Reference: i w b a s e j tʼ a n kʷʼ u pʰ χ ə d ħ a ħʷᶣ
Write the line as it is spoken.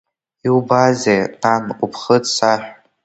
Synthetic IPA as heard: i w b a z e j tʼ a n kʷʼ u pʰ χ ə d s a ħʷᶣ

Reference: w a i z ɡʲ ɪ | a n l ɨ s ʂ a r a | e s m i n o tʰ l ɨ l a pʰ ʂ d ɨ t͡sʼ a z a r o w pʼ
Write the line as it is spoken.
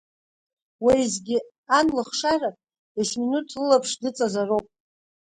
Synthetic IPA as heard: w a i z ɡʲ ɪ | a n l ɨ χ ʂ a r a | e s m i n u tʰ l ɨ l a pʰ ʂ d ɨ t͡sʼ a z a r o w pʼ

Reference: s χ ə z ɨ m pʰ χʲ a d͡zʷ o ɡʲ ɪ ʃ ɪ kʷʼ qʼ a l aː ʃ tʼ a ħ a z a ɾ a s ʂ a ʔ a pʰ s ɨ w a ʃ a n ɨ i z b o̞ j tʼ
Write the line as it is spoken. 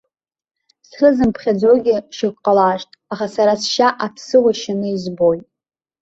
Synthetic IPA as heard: s χ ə z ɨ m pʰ χʲ a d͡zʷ o ɡʲ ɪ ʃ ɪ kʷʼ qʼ a l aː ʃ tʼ a χ a s a ɾ a s ʃ a ʔ a pʰ s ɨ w a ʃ a n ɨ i z b o̞ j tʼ

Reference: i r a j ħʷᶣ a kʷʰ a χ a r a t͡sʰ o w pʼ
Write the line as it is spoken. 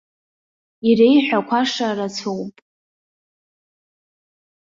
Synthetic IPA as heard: i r e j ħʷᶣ a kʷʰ a ʂ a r a t͡sʰ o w pʼ

